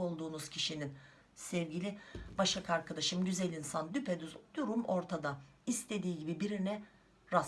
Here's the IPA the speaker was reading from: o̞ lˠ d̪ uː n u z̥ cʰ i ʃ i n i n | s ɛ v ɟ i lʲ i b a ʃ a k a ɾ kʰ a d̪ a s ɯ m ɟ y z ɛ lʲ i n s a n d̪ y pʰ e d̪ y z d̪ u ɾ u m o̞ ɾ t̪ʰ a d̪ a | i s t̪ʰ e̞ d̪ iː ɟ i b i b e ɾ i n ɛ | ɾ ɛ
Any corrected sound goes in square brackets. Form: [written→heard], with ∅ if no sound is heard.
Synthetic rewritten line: o̞ lˠ d̪ uː n u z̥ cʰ i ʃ i n i n | s ɛ v ɟ i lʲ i b a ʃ a k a ɾ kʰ a d̪ a [s→ʃ] ɯ m ɟ y z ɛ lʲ i n s a n d̪ y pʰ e d̪ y z d̪ u ɾ u m o̞ ɾ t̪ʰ a d̪ a | i s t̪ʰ e̞ d̪ iː ɟ i b i b [e→i] ɾ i n ɛ | ɾ [ɛ→a]